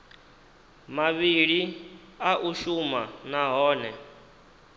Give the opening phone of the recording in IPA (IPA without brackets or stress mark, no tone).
m